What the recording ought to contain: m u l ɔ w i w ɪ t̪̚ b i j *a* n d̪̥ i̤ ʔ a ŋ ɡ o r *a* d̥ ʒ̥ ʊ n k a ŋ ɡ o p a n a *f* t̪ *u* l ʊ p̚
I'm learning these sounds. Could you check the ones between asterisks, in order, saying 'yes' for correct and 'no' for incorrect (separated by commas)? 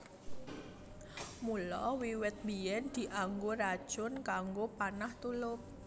no, yes, no, yes